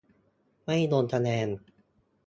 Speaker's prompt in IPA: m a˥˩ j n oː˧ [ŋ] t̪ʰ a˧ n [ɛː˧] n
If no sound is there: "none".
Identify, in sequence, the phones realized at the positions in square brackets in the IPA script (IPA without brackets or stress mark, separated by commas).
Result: n, ɛː˧